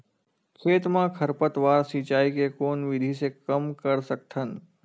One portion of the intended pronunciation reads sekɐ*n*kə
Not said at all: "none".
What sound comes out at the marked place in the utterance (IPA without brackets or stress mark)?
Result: m